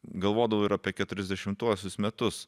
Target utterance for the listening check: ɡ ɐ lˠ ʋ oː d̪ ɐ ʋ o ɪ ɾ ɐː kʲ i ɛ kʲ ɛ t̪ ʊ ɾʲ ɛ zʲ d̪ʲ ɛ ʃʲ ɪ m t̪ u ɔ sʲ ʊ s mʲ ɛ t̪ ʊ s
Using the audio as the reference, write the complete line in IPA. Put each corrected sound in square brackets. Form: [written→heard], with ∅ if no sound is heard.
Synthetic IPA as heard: ɡ ɐ lˠ ʋ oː d̪ ɐ ʋ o ɪ ɾ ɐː [kʲ→pʲ] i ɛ kʲ ɛ t̪ ʊ ɾʲ ɛ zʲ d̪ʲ ɛ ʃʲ ɪ m t̪ u ɔ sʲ ʊ s mʲ ɛ t̪ ʊ s